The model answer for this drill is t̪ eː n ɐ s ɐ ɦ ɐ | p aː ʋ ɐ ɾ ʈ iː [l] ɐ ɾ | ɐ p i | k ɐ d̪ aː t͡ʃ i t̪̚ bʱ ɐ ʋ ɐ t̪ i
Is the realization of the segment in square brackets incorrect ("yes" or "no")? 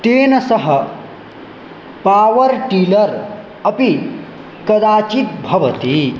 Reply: no